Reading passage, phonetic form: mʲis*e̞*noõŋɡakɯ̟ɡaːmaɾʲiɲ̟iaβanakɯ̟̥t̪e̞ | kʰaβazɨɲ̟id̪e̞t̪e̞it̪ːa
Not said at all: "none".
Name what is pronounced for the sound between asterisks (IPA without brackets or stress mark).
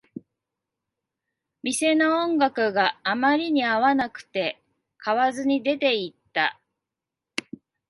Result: e̞